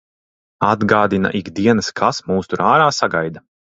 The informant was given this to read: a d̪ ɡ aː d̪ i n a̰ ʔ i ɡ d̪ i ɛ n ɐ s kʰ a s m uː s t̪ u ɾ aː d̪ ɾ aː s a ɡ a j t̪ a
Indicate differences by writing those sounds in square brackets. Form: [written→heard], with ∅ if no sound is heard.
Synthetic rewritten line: a d̪ ɡ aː d̪ i n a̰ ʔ i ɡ d̪ i ɛ n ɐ s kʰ a s m uː s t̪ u ɾ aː [d̪→∅] ɾ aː s a ɡ a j [t̪→d̪] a